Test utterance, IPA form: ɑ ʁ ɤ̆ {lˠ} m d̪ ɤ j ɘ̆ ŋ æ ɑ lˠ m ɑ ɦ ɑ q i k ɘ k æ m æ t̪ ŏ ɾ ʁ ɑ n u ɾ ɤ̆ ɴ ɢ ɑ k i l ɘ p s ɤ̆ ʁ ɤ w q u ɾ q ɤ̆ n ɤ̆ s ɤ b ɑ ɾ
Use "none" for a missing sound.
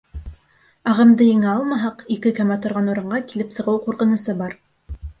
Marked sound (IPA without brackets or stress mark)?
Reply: none